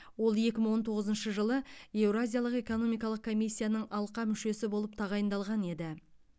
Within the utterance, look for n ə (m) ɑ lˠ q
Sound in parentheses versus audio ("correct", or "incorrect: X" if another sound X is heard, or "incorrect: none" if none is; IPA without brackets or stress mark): incorrect: ɴ